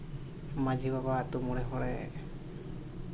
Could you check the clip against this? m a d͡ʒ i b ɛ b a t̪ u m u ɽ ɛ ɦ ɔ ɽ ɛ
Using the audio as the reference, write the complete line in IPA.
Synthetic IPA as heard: m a d͡ʒ i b a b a t̪ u m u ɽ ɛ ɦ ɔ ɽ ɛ